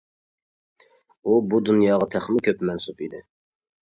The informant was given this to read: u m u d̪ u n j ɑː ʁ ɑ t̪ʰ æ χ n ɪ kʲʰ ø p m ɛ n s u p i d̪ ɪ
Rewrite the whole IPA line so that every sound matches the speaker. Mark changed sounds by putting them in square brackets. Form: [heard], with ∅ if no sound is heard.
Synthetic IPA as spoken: u [b] u d̪ u n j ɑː ʁ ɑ t̪ʰ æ χ [m] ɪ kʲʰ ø p m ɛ n s u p i d̪ ɪ